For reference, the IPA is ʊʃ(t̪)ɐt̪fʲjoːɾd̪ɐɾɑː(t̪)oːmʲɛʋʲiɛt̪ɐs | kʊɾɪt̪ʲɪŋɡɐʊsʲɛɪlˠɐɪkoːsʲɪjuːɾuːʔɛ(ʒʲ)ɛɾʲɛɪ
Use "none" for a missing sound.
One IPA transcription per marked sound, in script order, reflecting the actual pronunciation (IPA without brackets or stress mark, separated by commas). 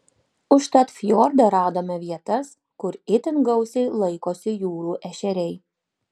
t̪, d̪, ʃʲ